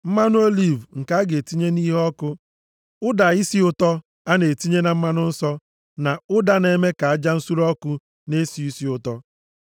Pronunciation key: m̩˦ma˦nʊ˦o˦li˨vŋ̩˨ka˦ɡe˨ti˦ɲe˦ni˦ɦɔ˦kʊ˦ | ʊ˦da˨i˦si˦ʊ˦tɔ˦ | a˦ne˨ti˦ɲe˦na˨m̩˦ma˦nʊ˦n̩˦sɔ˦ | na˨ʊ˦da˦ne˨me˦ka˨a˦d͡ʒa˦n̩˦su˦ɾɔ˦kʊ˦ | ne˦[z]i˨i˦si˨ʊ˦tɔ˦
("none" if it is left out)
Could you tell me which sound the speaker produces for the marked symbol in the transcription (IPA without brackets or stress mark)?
s